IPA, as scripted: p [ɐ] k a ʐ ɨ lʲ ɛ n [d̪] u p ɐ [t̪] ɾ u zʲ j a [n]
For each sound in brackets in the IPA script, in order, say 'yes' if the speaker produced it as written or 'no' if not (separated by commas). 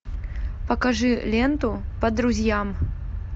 yes, no, no, no